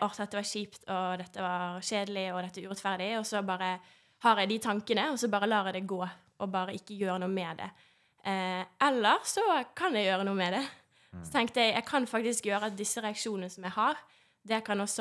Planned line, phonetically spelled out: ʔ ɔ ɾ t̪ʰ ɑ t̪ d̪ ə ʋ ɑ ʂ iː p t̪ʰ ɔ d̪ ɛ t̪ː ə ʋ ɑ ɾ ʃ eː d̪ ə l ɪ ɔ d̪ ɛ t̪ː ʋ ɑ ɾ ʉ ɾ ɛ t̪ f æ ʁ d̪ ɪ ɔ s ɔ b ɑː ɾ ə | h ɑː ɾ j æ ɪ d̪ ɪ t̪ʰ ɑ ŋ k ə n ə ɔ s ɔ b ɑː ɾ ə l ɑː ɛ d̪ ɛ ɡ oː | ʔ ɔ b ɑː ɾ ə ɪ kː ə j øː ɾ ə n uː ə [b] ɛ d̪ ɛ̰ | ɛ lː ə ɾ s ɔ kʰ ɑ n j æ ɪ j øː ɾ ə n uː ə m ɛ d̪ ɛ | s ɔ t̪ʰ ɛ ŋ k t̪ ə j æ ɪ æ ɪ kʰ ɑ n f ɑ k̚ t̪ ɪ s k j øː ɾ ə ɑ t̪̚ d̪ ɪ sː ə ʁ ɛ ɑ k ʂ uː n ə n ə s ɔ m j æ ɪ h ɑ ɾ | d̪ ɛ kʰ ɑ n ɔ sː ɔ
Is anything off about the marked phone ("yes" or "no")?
yes